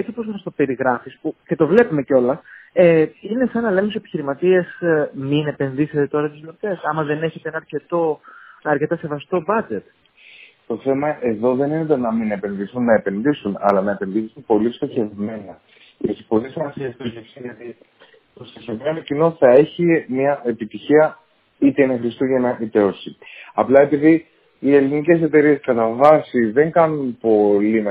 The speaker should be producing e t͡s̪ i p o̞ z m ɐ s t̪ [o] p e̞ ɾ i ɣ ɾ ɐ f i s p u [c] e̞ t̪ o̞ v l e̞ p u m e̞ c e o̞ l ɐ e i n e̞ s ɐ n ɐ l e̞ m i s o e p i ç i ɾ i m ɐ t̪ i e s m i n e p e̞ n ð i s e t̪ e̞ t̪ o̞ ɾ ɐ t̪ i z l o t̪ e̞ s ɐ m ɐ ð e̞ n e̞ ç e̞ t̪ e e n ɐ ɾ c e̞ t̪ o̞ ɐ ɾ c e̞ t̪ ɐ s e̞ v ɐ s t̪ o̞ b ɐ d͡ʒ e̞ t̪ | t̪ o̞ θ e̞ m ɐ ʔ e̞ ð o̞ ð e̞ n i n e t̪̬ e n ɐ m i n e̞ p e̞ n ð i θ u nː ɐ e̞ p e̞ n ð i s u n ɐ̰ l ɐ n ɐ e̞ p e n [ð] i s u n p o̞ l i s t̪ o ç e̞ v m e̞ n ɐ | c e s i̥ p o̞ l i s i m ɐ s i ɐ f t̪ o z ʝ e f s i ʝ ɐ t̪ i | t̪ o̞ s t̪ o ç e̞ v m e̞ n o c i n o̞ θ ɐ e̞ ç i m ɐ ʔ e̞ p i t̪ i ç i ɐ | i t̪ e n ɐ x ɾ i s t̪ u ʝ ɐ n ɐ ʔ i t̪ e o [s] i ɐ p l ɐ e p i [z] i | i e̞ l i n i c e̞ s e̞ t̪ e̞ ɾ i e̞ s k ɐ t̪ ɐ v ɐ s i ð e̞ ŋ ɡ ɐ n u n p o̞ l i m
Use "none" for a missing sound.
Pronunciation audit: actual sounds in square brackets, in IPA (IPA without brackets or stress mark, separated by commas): o, c, ð, s, ð